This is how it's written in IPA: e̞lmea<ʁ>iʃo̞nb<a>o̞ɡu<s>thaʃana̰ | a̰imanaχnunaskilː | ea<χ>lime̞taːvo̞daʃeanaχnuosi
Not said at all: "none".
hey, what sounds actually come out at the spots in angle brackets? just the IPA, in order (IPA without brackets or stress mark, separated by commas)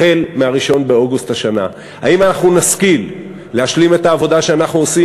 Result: ʁ, e, s, ʃ